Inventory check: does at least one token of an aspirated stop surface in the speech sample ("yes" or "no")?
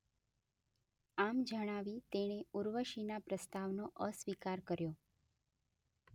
no